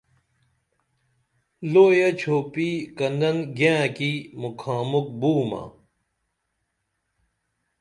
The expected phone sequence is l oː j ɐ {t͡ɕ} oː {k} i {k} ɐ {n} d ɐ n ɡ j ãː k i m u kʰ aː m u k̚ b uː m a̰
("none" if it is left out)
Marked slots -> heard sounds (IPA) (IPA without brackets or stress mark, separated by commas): t͡ɕʰ, p, k, n